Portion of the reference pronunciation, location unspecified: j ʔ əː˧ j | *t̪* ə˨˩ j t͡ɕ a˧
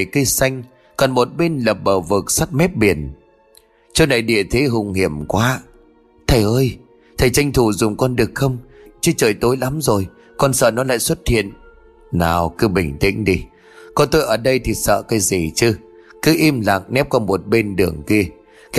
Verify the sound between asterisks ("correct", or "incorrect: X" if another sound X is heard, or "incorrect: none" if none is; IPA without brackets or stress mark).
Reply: incorrect: t̪ʰ